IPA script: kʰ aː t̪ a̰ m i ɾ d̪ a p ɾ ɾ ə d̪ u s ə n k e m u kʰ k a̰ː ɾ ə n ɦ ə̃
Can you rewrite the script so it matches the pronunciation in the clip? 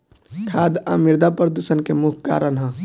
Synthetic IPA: kʰ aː d̪ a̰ m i ɾ d̪ a p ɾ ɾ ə d̪ u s ə n k e m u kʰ k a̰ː ɾ ə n ɦ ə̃